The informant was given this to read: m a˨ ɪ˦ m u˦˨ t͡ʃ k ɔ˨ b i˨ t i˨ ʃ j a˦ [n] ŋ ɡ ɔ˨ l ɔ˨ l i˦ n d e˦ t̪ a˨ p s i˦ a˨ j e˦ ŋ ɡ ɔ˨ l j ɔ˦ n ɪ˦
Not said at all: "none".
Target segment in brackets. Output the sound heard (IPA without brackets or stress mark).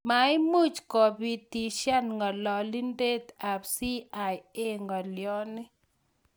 n